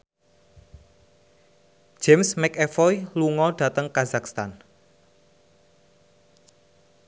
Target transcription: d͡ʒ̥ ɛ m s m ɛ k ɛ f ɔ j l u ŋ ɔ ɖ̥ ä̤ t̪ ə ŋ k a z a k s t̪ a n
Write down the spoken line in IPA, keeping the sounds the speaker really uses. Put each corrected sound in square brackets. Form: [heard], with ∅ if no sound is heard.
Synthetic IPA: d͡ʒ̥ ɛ m s m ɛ k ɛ f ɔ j l u ŋ ɔ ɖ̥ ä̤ t̪ ə ŋ k a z a k s t̪ a n

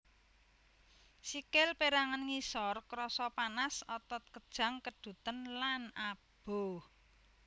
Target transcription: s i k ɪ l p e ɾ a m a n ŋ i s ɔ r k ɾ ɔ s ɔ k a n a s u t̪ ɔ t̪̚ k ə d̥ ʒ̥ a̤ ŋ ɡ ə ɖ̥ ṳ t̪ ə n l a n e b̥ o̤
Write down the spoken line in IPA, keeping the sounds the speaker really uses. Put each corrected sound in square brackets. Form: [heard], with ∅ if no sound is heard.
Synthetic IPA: s i k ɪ l p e ɾ a [ŋ] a n ŋ i s ɔ r k ɾ ɔ s ɔ [p] a n a s [ɔ] t̪ ɔ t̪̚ k ə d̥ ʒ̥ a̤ ŋ [k] ə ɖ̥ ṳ t̪ ə n l a n [a] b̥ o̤

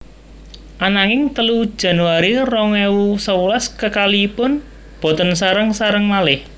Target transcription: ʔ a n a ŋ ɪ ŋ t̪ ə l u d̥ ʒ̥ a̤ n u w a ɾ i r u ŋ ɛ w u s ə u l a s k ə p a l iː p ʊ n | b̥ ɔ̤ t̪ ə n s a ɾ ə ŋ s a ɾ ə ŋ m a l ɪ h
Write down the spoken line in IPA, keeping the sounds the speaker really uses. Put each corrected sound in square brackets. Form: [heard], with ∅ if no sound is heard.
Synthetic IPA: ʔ a n a ŋ ɪ ŋ t̪ ə l u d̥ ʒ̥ a̤ n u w a ɾ i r [ɔ] ŋ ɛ w u s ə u l a s k ə [k] a l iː p ʊ n | b̥ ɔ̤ t̪ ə n s a ɾ ə ŋ s a ɾ ə ŋ m a l ɪ h

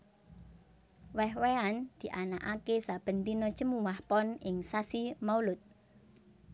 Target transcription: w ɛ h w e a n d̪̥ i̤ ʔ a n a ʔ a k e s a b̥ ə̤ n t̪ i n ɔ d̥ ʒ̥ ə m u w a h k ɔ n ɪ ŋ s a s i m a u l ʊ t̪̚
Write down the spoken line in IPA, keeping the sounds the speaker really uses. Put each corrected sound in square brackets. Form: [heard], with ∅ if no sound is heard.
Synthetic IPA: w ɛ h w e a n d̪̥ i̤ ʔ a n a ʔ a k e s a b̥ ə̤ n t̪ i n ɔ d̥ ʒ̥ ə m u w a h [p] ɔ n ɪ ŋ s a s i m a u l ʊ t̪̚

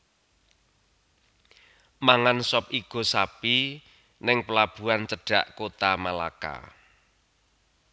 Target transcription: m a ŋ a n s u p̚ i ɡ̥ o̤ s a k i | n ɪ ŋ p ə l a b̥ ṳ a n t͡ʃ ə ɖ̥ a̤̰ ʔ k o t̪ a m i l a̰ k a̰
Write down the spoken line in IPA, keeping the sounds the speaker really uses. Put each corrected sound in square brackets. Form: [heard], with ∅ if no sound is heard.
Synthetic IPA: m a ŋ a n s [ɔ] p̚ i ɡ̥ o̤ s a [p] i | n ɪ ŋ p ə l a b̥ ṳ a n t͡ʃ ə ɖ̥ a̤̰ ʔ k o t̪ a m [a] l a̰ k a̰

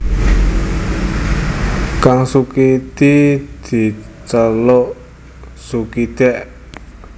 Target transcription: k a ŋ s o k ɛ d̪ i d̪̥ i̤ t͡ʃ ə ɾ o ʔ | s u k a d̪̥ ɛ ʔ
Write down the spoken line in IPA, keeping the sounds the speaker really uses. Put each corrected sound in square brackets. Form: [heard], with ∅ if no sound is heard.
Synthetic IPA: k a ŋ s [u] k [i] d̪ i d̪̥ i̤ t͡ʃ ə [l] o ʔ | s u k [i] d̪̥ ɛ ʔ

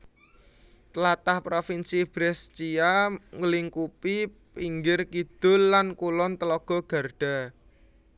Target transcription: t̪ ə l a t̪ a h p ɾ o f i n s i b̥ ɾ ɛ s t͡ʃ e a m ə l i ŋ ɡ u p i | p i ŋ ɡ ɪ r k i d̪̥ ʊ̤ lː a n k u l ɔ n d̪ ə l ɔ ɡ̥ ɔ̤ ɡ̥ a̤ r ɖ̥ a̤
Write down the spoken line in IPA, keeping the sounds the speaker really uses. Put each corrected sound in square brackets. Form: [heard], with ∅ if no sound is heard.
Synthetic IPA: t̪ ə l a t̪ a h p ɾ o f i n s i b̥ ɾ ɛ s t͡ʃ [i] a [ŋ] ə l i ŋ [k] u p i | p i ŋ ɡ ɪ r k i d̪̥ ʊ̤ lː a n k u l ɔ n [t̪] ə l ɔ ɡ̥ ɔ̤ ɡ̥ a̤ r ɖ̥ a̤

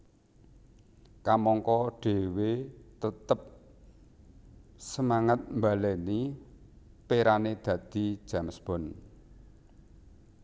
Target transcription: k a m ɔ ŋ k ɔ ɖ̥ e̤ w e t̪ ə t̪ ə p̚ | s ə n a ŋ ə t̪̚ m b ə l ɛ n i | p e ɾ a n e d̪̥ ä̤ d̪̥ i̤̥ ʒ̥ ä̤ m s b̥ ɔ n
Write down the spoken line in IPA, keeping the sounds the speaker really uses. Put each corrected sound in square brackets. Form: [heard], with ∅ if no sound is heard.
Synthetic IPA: k a m ɔ ŋ k ɔ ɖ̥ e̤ w e t̪ ə t̪ ə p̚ | s ə [m] a ŋ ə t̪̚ m b [a] l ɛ n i | p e ɾ a n e d̪̥ ä̤ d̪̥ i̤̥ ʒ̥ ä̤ m s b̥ ɔ n

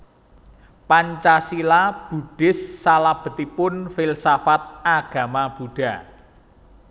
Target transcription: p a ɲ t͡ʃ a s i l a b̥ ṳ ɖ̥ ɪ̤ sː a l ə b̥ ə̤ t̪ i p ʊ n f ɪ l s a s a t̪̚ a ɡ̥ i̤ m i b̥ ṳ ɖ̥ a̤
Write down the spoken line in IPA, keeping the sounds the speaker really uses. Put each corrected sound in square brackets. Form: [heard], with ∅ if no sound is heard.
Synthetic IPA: p a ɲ t͡ʃ a s i l a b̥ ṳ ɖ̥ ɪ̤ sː a l [a] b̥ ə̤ t̪ i p ʊ n f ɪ l s a [f] a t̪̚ a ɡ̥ [a̤] m [a] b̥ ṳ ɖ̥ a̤

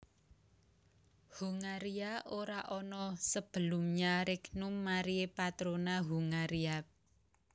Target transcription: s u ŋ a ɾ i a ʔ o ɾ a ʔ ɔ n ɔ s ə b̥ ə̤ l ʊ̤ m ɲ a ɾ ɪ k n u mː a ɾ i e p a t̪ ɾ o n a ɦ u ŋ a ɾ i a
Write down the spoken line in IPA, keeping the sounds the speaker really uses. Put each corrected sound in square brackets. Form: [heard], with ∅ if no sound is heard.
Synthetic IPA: [h] u ŋ a ɾ i a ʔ o ɾ a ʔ ɔ n ɔ s ə b̥ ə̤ l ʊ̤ m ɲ a ɾ ɪ k n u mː a ɾ i e p a t̪ ɾ o n a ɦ u ŋ a ɾ i a

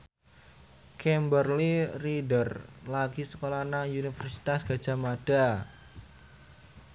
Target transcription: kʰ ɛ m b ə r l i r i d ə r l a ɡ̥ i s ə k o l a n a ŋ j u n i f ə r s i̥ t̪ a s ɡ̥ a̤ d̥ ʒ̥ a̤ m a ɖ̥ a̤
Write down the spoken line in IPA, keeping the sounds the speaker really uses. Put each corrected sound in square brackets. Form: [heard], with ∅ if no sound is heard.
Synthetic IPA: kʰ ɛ m b ə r l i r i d ə r l a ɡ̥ i s ə k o l a n a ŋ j u n i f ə r s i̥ t̪ a s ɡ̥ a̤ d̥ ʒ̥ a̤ m a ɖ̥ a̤

